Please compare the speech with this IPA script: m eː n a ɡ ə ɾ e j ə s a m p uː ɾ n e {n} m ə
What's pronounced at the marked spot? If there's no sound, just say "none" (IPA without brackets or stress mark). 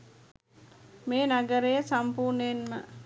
n